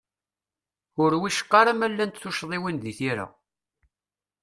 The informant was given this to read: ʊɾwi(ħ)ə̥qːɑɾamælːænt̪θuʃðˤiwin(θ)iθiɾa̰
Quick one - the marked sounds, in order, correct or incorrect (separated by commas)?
incorrect, incorrect